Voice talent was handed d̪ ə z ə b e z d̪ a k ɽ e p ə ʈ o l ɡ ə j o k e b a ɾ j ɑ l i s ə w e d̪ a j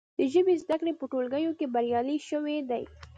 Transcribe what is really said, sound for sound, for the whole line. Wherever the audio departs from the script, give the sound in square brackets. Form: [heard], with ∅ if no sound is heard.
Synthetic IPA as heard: d̪ ə [ʒ] ə b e z d̪ a k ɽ e p ə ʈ o l ɡ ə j o k e b a ɾ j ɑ l i [ʃ] ə w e d̪ a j